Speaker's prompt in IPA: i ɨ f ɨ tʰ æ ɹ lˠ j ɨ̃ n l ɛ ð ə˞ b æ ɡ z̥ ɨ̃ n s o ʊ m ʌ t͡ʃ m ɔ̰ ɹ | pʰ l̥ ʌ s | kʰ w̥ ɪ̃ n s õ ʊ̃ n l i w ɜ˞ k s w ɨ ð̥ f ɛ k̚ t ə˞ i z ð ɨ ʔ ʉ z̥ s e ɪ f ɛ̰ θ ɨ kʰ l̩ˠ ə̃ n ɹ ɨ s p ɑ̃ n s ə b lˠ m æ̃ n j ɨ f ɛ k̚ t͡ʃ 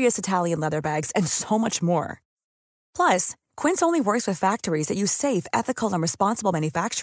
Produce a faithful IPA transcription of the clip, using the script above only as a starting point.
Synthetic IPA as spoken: i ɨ s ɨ tʰ æ lˠ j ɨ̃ n l ɛ ð ə˞ b æ ɡ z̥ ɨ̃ n s o ʊ m ʌ t͡ʃ m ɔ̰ ɹ | pʰ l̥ ʌ s | kʰ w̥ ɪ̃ n s õ ʊ̃ n l i w ɜ˞ k s w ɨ ð̥ f æ k̚ t ə˞ i z ð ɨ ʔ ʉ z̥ s e ɪ f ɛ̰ θ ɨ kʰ l̩ˠ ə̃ n ɹ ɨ s p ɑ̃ n s ə b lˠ m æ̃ n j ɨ f æ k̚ t͡ʃ